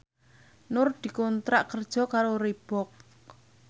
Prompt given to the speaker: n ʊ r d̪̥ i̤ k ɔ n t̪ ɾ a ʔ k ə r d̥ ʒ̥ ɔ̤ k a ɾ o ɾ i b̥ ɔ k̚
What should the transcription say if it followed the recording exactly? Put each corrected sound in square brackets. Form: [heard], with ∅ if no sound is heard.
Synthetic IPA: n ʊ r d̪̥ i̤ k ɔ n t̪ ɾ a ʔ k ə r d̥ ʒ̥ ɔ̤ k a ɾ o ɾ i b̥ ɔ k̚